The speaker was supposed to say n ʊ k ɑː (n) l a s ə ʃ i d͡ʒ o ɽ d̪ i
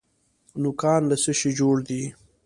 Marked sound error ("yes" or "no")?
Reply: no